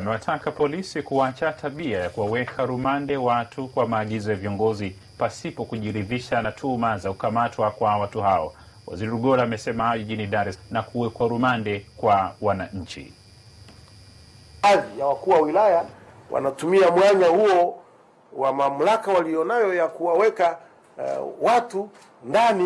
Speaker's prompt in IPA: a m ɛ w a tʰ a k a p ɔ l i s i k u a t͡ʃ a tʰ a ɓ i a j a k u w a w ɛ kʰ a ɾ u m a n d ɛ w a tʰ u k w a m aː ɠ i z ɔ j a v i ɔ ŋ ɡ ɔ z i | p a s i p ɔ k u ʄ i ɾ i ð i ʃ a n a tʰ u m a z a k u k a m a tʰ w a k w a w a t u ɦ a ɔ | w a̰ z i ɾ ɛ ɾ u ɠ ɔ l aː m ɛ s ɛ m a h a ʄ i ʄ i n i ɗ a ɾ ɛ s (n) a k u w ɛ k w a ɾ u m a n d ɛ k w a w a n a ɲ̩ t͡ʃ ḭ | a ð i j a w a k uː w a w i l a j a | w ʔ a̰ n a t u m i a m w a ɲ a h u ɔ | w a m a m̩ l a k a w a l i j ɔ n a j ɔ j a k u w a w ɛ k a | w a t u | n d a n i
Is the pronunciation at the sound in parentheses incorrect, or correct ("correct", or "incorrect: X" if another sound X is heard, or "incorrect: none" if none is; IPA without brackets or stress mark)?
correct